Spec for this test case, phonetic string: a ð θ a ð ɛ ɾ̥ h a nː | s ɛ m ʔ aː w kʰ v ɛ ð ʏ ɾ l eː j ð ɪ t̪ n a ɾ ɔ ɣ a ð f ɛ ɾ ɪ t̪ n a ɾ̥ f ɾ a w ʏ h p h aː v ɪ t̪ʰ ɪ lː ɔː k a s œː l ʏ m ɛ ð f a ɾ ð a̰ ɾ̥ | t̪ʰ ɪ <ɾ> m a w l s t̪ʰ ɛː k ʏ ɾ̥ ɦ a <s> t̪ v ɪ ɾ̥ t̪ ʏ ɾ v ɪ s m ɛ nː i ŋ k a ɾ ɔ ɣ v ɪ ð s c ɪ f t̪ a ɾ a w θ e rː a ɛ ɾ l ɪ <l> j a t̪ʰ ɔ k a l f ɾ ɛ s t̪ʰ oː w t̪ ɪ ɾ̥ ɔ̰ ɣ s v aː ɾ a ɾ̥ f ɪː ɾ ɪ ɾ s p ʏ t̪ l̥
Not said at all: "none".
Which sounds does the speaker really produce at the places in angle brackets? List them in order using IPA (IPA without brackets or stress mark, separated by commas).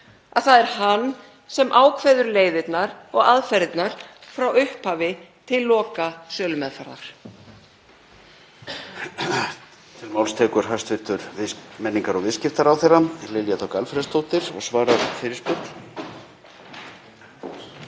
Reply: l, s, l